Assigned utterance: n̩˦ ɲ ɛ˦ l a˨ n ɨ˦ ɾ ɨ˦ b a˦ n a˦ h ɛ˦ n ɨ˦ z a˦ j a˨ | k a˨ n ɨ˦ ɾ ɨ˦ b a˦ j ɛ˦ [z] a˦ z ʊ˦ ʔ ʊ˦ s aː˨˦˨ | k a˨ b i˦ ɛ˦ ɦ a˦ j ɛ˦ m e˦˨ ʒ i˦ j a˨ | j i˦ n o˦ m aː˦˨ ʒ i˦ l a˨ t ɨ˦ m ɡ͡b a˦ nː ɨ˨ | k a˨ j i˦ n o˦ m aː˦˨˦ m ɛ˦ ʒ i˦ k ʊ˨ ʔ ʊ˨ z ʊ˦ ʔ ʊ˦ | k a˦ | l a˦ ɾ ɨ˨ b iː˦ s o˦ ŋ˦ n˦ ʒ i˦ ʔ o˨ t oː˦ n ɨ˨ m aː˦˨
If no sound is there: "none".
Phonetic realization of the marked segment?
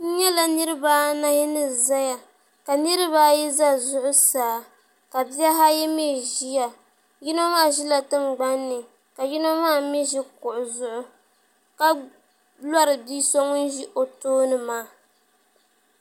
z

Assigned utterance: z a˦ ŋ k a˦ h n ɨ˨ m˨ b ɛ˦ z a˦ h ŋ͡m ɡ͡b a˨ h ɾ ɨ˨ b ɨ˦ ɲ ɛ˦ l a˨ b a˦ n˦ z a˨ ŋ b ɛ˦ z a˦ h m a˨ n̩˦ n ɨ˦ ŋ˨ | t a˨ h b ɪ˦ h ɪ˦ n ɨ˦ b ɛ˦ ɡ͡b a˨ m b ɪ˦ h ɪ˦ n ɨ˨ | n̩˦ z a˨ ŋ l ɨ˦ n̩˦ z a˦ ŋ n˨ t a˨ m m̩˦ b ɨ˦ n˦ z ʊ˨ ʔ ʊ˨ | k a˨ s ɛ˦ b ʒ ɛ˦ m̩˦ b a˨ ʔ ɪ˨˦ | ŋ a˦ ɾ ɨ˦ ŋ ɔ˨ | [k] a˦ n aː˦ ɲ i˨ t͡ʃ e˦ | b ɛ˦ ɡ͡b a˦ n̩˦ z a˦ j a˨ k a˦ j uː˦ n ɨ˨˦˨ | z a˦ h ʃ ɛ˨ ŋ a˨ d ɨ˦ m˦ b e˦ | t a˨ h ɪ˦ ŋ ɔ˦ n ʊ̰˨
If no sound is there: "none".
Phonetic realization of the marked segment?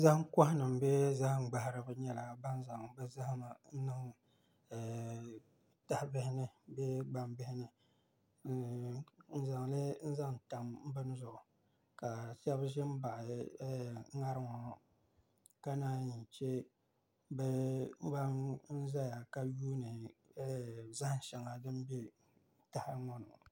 k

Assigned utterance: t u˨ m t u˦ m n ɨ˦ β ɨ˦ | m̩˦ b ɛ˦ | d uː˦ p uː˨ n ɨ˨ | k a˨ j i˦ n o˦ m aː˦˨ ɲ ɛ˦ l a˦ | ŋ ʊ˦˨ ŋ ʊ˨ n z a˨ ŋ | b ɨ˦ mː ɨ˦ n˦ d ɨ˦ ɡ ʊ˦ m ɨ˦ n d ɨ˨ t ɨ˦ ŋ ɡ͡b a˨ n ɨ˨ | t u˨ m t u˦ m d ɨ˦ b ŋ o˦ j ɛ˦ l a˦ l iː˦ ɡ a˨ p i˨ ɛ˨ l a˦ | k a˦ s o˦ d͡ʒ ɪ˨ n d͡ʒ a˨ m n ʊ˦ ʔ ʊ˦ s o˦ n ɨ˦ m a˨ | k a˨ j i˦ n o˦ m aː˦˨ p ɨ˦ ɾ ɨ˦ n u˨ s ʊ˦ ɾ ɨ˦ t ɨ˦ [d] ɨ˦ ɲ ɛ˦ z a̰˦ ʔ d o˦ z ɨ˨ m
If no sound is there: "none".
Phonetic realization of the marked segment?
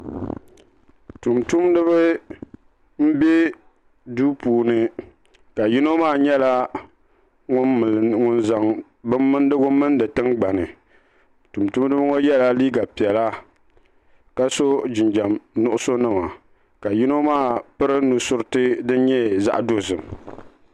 d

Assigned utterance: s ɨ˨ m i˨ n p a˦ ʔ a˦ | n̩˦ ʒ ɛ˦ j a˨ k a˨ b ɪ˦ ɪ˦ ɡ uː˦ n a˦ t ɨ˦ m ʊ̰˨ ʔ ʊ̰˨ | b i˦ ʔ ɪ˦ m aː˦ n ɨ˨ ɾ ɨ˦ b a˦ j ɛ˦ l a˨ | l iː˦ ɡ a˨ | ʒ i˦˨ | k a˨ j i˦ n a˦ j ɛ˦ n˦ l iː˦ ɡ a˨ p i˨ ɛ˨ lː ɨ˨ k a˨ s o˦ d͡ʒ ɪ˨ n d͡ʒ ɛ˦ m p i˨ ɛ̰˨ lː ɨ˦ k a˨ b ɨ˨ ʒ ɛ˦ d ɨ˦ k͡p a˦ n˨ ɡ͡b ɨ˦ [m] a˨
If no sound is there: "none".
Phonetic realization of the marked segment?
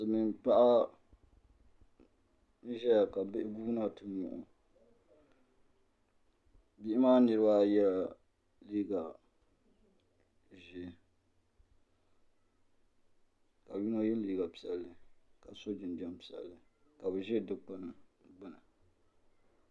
n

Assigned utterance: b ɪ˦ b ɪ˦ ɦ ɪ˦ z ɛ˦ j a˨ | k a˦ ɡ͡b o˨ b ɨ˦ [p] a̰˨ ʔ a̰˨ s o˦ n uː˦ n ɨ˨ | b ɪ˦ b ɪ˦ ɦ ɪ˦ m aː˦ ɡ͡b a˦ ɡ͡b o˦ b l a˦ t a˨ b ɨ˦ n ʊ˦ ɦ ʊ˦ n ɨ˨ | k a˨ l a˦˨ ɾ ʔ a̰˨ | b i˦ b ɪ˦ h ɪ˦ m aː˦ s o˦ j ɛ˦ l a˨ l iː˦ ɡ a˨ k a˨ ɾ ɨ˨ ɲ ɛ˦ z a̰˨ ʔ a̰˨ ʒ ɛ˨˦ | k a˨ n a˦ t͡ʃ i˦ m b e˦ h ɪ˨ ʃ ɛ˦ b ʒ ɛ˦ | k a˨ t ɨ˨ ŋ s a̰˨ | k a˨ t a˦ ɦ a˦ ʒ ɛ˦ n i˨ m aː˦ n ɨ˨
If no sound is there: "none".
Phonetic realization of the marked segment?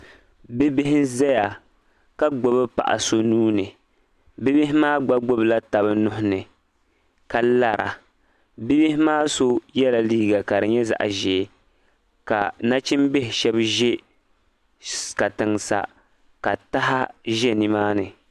p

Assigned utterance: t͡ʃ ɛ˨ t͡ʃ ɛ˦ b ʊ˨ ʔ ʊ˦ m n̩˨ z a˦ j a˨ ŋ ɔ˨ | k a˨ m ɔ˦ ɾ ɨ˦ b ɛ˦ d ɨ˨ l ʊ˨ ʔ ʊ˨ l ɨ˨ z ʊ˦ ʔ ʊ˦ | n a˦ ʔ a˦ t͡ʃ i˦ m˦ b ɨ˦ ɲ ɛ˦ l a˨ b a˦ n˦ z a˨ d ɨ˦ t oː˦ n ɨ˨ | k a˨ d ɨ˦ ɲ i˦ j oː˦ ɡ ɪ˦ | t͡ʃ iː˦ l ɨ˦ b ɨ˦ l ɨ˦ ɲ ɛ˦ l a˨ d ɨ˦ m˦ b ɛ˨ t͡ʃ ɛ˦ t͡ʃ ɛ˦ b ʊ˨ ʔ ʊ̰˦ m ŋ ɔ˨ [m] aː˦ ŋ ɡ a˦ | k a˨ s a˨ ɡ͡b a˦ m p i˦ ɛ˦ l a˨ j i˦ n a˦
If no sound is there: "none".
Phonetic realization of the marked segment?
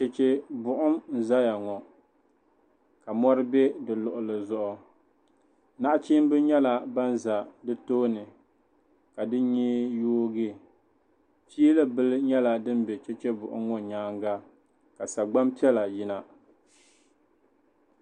ɲ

